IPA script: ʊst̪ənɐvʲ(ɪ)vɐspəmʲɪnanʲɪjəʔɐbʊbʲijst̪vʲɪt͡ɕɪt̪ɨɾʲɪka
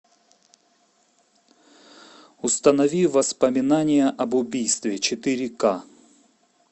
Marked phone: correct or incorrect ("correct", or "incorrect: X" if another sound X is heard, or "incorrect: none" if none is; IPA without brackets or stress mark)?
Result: incorrect: i